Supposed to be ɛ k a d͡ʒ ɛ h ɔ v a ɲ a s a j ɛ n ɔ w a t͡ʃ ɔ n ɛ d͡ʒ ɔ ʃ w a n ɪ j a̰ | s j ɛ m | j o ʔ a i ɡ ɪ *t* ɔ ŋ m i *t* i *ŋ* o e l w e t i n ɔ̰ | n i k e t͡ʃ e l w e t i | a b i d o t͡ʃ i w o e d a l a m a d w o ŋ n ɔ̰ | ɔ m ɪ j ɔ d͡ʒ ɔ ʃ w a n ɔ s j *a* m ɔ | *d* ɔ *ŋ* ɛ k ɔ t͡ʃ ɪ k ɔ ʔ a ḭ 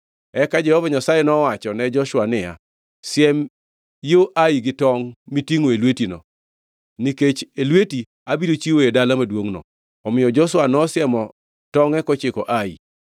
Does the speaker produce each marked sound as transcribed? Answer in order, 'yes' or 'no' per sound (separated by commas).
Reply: yes, yes, yes, no, no, yes